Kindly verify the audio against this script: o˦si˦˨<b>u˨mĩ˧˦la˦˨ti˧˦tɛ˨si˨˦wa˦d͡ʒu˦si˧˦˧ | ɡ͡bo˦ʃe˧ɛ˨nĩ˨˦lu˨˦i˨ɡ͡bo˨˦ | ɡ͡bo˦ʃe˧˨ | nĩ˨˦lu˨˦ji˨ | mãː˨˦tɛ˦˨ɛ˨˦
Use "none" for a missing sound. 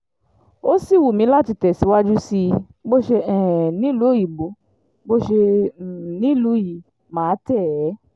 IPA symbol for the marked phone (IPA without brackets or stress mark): w